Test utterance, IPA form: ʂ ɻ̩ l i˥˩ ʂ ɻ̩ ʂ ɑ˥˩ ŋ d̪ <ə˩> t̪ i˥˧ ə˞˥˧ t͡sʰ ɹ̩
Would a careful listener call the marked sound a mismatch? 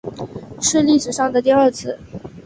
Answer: no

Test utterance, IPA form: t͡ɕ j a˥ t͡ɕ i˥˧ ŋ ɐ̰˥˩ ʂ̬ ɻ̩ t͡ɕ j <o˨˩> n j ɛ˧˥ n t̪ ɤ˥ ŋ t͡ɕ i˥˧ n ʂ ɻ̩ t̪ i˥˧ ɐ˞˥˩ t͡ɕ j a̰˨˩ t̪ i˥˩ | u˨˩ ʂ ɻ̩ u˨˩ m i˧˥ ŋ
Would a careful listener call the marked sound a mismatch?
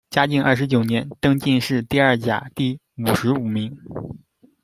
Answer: no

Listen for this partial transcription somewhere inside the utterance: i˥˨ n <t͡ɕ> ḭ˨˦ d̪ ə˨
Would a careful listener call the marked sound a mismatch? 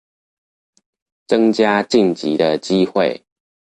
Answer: no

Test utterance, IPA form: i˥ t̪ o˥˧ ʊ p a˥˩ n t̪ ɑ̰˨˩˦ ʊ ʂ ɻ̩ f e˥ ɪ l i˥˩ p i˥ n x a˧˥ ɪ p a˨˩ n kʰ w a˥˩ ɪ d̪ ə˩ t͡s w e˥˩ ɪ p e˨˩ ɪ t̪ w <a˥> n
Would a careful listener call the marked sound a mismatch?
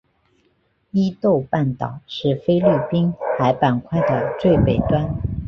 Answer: no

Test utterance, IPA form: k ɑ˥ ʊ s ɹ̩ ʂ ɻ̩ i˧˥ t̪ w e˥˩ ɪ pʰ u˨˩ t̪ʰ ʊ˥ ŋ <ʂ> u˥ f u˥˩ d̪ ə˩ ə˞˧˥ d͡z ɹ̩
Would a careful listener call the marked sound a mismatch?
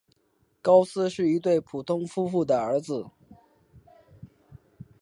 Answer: yes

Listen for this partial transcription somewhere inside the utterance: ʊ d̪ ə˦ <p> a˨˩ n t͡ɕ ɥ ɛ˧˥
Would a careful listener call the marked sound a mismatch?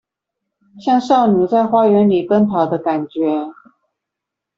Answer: yes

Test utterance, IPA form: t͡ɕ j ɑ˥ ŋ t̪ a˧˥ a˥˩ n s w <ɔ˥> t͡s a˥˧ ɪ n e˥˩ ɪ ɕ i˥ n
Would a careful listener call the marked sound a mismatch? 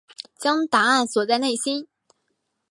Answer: yes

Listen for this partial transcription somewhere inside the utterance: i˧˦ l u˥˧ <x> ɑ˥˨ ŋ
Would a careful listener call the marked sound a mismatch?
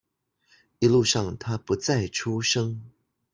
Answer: yes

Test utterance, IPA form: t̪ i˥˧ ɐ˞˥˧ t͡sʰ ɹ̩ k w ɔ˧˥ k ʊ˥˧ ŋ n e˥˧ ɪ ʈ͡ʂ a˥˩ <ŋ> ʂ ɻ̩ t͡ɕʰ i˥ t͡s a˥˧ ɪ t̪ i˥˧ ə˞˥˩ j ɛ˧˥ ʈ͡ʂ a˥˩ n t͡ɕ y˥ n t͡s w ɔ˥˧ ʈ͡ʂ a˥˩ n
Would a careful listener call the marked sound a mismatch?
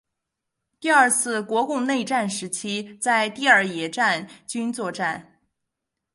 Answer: yes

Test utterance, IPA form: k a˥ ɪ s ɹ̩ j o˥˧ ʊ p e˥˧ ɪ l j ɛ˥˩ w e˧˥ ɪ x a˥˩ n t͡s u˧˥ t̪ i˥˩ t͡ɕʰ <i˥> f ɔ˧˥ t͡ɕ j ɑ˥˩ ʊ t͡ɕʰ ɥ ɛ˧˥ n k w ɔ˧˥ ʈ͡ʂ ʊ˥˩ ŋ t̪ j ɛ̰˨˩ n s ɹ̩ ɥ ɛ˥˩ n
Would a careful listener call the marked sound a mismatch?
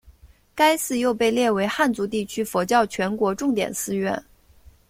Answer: yes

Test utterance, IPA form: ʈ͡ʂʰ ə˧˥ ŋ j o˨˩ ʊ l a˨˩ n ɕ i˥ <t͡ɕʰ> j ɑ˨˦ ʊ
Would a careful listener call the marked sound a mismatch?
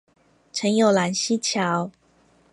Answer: no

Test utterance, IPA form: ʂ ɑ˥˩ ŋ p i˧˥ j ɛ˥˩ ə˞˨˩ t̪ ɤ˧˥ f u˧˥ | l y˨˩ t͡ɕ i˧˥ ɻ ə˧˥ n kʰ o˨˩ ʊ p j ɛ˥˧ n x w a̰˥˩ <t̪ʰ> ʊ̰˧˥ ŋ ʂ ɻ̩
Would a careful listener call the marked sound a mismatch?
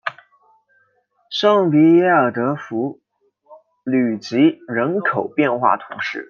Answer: no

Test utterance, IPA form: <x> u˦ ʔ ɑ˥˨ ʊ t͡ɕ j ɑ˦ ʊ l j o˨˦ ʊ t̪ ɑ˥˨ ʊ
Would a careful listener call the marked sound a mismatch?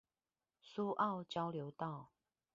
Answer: yes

